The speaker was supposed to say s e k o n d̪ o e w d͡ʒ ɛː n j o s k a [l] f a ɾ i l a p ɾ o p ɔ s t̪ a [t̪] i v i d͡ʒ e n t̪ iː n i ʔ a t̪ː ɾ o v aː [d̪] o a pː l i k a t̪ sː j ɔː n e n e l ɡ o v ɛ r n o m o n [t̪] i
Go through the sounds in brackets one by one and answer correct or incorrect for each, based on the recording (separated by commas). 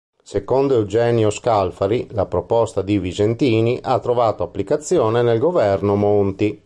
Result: correct, incorrect, incorrect, correct